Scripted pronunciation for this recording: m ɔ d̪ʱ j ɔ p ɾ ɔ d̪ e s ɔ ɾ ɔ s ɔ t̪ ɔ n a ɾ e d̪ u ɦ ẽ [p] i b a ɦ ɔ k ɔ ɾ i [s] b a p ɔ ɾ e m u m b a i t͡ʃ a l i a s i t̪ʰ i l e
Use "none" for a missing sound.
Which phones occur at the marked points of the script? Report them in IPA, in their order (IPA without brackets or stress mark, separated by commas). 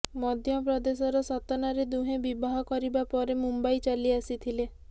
b, none